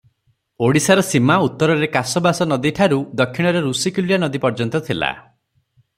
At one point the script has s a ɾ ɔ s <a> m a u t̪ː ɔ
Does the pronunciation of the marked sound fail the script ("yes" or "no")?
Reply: yes